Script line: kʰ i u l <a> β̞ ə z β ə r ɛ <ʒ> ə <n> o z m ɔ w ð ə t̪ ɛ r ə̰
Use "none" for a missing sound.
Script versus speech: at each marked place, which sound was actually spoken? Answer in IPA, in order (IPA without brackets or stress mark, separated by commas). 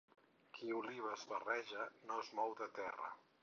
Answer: i, ʒ, n